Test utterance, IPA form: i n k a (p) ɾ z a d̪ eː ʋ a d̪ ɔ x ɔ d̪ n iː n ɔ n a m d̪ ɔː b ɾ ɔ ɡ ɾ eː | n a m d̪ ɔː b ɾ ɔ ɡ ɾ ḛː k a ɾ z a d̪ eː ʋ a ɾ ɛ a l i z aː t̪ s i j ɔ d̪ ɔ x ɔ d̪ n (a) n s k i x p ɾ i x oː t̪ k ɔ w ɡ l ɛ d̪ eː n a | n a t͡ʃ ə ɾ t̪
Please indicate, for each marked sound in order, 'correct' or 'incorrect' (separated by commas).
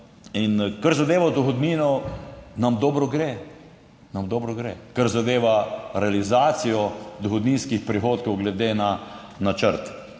incorrect, incorrect